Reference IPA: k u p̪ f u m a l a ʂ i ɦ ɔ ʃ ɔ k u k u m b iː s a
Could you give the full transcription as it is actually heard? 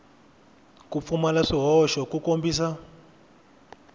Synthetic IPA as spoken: k u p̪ f u m a l a ʂ i ɦ ɔ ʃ ɔ k u k o m b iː s a